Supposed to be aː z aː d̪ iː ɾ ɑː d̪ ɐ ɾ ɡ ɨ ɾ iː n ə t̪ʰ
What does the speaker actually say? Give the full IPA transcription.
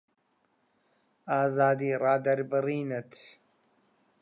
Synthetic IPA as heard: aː z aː d̪ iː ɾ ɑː d̪ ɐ ɾ b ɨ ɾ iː n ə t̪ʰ